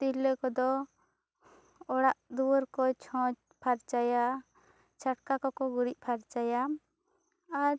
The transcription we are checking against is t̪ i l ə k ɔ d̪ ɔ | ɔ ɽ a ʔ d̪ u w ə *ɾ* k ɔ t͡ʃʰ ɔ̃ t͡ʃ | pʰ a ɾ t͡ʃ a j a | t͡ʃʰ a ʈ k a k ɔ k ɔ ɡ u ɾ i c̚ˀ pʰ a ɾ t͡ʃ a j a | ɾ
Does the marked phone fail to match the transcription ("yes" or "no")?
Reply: no